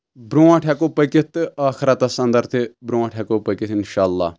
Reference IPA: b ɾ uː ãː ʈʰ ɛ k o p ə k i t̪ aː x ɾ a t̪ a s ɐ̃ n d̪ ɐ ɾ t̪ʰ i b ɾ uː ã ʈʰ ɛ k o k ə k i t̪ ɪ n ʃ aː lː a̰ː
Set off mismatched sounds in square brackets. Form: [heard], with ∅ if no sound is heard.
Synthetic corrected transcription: b ɾ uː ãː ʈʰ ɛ k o p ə k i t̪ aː x ɾ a t̪ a s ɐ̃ n d̪ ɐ ɾ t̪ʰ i b ɾ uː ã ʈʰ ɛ k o [p] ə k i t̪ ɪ n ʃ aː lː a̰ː